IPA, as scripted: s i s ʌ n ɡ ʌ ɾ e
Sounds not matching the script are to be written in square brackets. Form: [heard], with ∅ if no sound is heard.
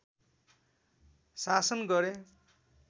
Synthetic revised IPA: s [a] s ʌ n ɡ ʌ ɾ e